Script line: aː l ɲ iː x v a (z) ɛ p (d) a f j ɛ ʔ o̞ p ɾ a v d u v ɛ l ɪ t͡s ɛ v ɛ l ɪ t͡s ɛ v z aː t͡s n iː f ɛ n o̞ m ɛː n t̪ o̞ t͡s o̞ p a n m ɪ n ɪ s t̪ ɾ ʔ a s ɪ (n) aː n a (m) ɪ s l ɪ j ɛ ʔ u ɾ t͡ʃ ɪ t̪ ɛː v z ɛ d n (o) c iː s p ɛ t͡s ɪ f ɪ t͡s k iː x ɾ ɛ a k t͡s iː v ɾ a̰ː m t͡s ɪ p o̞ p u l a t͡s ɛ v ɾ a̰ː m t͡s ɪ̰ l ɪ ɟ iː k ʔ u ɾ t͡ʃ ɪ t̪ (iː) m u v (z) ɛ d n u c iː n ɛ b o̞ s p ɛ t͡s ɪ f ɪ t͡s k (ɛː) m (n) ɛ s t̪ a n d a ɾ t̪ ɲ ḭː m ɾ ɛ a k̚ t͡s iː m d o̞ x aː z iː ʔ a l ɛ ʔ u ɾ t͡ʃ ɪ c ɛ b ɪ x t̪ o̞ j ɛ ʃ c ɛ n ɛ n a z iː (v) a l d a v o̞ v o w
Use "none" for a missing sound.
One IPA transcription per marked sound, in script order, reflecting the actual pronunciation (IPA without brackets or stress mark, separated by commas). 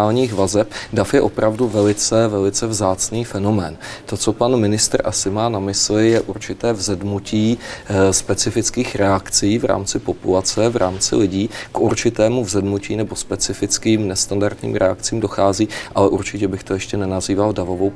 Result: z, d, m, m, u, ɛː, z, iː, n, v